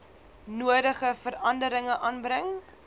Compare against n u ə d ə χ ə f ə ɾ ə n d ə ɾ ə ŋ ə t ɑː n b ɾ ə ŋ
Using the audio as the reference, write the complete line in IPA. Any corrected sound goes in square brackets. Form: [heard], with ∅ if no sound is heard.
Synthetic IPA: n u ə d ə χ ə f ə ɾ [ɐ] n d ə ɾ ə ŋ ə [ʔ] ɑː n b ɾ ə ŋ